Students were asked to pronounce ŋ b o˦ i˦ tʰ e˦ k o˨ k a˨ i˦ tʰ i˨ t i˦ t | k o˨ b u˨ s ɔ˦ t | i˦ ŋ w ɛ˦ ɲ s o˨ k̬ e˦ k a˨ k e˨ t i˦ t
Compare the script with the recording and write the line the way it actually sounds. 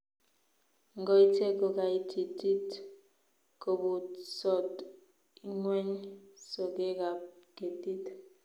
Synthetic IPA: ŋ ɡ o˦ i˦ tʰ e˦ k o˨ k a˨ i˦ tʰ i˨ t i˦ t | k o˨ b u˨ s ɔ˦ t | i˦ ŋ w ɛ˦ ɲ s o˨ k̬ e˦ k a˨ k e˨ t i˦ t

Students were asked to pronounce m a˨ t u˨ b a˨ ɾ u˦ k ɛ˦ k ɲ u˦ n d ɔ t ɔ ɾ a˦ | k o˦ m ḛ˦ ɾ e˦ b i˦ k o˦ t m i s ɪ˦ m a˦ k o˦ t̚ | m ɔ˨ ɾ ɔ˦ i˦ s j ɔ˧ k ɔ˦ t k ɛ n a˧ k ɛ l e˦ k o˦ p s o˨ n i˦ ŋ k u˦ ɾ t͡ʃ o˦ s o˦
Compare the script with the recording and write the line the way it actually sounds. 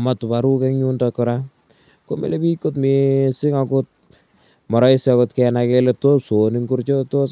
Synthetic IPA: m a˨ t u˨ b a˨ ɾ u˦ k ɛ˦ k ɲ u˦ n d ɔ k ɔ ɾ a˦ | k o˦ m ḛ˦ l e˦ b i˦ k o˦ t m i s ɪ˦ ŋ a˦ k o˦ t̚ | m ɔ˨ ɾ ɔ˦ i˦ s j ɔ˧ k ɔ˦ t k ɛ n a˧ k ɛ l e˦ t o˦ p s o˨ n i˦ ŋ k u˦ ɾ t͡ʃ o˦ t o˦

